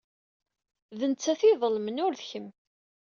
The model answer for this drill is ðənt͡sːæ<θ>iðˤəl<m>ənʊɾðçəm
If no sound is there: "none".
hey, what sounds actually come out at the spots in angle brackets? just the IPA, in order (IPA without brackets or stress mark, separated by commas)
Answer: θ, m